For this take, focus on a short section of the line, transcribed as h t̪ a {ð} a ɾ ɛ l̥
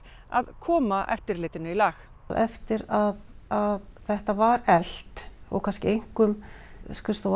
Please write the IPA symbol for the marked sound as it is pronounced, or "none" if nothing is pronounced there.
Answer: v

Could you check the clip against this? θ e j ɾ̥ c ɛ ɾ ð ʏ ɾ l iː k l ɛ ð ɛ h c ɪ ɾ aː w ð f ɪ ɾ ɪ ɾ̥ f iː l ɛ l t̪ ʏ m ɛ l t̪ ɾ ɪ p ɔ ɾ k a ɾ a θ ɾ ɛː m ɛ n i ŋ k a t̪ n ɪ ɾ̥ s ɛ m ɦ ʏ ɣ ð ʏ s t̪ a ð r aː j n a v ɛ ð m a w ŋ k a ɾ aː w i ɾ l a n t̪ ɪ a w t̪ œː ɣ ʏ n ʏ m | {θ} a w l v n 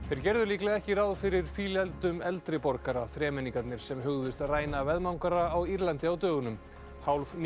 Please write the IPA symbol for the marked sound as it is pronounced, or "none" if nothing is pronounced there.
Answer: h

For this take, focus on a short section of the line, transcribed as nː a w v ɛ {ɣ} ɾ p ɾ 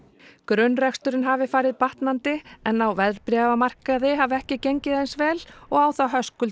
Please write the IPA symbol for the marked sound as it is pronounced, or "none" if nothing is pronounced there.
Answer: ð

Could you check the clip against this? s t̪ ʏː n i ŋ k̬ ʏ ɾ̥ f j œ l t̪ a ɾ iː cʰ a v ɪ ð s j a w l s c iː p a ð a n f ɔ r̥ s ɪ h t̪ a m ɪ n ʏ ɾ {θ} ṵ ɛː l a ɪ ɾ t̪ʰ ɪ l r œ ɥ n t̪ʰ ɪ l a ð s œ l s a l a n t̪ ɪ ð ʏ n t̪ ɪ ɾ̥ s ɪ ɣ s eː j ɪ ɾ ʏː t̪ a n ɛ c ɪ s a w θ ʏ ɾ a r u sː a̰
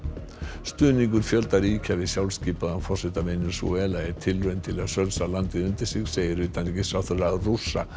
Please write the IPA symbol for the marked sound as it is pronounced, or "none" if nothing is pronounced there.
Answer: s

